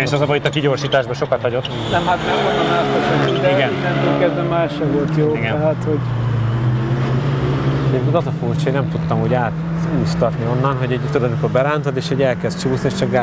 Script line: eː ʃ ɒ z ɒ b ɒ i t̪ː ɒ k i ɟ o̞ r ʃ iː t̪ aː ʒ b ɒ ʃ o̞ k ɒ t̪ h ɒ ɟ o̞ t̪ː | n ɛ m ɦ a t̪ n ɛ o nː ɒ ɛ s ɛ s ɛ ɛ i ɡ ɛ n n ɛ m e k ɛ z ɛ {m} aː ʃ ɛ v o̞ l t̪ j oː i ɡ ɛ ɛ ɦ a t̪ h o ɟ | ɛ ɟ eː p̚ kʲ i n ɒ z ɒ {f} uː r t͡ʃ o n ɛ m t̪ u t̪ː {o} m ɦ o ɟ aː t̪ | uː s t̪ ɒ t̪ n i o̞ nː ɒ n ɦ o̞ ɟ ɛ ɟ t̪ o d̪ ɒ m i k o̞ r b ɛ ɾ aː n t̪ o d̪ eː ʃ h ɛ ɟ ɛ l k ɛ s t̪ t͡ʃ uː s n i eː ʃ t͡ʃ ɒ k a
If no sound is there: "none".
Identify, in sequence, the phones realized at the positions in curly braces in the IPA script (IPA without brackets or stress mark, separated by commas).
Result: m, f, ɒ